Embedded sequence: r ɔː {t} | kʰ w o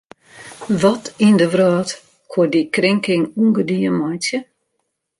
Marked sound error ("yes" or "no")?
no